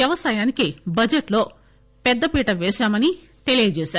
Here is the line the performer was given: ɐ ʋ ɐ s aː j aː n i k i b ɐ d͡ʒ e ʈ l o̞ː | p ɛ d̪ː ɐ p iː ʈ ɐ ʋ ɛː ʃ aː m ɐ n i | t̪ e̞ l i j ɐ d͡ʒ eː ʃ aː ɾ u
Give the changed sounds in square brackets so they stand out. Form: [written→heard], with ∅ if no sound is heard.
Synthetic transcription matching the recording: ɐ ʋ ɐ s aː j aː n i k i b ɐ d͡ʒ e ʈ l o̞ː | p ɛ d̪ː ɐ p iː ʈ ɐ ʋ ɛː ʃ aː m ɐ n i | t̪ e̞ l i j ɐ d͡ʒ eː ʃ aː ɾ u